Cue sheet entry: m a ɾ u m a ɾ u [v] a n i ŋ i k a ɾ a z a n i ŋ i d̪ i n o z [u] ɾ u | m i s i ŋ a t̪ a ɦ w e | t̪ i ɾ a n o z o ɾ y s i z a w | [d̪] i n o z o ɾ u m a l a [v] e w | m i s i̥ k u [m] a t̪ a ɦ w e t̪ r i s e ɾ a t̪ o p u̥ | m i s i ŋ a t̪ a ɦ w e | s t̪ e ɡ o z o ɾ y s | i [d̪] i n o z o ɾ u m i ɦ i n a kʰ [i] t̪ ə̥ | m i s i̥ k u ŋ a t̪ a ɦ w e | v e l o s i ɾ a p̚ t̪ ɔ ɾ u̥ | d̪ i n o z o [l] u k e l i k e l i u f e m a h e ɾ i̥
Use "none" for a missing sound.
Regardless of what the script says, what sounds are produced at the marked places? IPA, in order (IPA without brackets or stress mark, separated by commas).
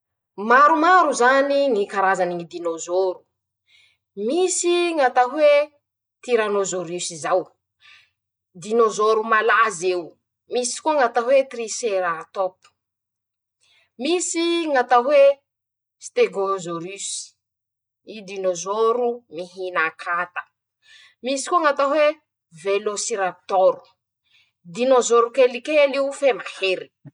z, o, d̪, z, ŋ, d̪, a, ɾ